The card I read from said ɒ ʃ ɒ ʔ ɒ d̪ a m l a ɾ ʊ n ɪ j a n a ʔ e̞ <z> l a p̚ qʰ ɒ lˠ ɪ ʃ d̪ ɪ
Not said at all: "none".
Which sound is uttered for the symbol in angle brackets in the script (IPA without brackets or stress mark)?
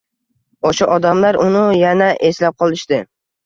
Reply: s